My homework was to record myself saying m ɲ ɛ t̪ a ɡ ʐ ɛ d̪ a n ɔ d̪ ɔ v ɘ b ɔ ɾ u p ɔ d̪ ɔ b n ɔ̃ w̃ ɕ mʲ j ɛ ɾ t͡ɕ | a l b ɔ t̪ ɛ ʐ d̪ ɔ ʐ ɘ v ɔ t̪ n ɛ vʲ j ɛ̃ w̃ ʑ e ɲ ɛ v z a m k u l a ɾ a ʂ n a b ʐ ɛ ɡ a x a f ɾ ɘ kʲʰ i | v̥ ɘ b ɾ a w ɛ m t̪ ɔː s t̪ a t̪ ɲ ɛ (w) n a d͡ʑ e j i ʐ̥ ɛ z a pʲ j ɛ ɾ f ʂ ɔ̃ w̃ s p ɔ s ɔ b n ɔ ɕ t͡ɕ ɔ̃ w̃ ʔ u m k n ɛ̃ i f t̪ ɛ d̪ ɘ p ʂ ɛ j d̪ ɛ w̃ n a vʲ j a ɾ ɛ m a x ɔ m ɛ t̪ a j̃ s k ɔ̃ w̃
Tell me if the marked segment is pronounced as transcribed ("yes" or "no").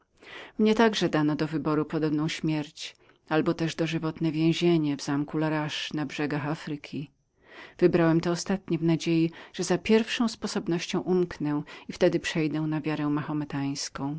no